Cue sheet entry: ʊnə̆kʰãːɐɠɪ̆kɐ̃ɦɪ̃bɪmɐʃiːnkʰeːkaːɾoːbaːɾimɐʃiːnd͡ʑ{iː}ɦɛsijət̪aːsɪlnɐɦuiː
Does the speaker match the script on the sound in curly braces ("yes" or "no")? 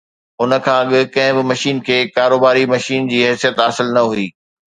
yes